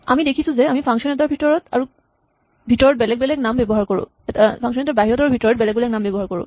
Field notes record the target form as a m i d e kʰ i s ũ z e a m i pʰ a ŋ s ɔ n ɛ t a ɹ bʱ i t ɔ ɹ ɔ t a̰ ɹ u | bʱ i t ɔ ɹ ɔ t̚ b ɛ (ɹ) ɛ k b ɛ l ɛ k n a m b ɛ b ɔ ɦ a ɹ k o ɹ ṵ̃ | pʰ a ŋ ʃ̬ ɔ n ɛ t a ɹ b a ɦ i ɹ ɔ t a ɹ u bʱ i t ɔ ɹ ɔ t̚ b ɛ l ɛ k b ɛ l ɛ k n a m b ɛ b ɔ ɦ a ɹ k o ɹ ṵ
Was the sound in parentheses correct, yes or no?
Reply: no